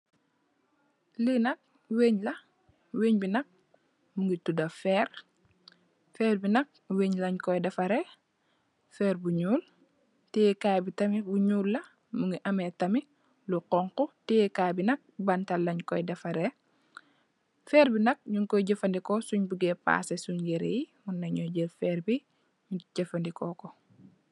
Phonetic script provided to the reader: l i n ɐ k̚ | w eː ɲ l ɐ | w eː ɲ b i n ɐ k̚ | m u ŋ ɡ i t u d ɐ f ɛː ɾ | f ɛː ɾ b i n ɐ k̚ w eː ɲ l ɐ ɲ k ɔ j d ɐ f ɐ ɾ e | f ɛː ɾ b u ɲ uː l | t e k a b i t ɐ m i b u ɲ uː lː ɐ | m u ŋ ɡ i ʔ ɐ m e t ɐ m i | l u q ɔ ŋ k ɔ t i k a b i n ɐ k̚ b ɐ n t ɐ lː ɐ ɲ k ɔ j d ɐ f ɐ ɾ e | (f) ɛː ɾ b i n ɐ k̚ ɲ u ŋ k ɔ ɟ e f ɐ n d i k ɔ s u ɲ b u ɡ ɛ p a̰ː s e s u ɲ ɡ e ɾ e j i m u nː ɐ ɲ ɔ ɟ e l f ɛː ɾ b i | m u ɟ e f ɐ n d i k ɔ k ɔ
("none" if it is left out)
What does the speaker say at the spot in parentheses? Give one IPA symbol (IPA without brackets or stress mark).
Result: f